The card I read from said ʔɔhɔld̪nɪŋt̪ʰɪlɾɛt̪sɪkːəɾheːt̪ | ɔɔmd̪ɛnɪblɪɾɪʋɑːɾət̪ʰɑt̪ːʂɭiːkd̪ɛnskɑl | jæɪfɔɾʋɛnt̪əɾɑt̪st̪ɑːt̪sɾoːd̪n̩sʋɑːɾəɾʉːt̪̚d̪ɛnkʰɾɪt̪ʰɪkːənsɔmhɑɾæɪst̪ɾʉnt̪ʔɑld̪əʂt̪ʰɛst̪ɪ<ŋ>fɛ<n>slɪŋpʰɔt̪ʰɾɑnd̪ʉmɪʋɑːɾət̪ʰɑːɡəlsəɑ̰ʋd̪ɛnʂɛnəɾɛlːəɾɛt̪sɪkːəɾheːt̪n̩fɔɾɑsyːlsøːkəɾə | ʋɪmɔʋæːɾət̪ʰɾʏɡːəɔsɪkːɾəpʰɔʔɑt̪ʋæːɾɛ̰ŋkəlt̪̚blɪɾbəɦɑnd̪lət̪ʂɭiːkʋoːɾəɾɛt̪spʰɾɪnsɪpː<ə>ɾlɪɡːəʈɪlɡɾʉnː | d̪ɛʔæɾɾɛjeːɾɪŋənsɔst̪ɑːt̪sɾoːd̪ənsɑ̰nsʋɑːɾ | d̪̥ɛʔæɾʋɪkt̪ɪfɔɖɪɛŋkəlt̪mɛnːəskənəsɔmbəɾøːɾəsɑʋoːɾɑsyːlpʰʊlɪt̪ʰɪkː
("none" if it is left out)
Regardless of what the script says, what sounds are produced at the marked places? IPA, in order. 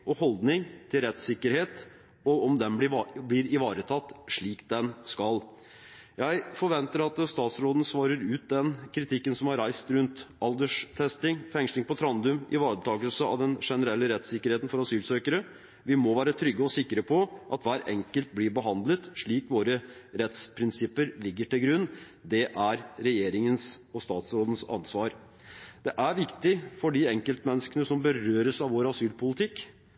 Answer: ŋ, ŋ, ə

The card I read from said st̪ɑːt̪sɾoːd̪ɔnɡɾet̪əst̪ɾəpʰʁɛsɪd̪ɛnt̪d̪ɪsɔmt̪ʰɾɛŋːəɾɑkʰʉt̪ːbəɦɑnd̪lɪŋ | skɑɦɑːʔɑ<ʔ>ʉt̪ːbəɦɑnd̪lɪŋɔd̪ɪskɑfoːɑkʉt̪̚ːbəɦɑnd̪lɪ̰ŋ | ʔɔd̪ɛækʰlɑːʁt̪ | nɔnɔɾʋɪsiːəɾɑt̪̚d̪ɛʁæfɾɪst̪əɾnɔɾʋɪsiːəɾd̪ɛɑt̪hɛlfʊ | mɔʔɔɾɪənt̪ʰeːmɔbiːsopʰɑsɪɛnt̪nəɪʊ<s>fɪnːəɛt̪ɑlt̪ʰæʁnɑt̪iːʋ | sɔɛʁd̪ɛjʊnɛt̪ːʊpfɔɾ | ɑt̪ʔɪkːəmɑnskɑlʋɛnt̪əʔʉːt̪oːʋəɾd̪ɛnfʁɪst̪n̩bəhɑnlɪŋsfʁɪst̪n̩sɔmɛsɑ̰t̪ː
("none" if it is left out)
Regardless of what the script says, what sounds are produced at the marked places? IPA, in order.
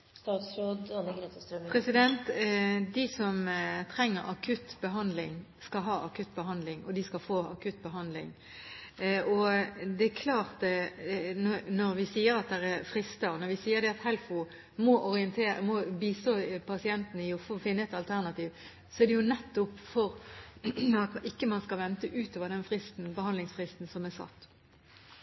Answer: k, f

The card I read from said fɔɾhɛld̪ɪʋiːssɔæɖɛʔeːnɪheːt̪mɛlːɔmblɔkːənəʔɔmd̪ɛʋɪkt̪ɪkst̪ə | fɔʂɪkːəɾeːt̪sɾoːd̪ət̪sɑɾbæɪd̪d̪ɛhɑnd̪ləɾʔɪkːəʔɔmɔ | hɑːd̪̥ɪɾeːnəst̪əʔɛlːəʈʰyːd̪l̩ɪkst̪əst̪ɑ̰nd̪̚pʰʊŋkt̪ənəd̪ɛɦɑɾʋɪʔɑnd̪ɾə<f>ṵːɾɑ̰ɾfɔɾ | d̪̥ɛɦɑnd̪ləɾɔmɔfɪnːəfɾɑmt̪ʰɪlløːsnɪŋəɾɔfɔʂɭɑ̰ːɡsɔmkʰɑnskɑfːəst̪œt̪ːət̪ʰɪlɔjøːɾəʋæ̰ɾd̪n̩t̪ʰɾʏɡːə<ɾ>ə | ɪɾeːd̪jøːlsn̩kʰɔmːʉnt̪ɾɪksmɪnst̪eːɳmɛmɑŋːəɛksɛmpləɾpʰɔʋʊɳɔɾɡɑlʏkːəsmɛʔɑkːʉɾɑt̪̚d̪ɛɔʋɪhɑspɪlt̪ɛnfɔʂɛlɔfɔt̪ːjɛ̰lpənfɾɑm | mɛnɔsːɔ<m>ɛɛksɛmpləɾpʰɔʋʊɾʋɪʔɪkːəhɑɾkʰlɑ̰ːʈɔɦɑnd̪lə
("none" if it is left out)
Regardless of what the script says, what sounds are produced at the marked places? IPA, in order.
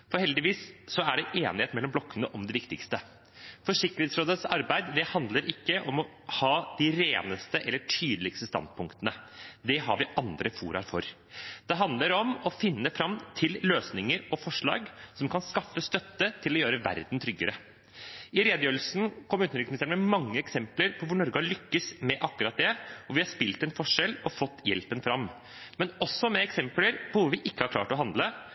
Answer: f, ɾ, m

